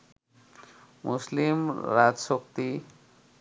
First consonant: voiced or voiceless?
voiced